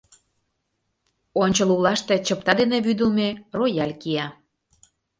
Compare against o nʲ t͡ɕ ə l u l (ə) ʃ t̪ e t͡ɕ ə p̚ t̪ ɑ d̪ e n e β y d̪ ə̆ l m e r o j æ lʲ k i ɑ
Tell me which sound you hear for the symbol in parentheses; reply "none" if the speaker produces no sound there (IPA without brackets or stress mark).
ɑ